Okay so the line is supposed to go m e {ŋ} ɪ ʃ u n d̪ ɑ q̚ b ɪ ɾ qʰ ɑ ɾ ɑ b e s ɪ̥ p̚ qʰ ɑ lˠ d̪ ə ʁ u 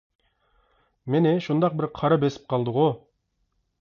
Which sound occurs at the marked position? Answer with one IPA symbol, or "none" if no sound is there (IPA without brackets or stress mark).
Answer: n